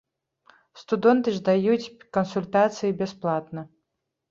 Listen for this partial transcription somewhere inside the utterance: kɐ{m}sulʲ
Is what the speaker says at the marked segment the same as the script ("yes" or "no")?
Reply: no